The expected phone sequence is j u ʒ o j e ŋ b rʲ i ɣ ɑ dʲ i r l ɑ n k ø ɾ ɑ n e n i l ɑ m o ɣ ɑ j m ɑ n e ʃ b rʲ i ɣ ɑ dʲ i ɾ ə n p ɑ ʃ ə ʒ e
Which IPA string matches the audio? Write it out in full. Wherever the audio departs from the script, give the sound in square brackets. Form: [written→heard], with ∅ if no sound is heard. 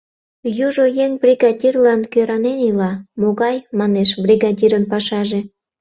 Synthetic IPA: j u ʒ o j e ŋ b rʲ i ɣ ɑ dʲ i r l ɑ n k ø ɾ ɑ n e n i l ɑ m o ɣ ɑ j m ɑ n e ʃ b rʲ i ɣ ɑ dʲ i ɾ ə n p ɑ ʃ [ə→ɑ] ʒ e